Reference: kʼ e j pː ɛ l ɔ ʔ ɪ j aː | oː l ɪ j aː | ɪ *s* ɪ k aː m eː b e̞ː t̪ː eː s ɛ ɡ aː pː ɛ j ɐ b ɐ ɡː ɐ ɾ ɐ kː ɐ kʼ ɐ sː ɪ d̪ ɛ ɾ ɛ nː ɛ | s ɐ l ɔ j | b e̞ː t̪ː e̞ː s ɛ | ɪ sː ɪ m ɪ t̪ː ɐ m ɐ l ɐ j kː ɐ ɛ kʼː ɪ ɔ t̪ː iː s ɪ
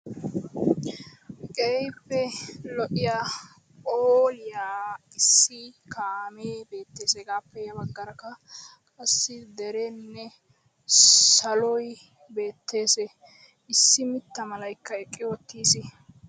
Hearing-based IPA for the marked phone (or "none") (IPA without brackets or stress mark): sː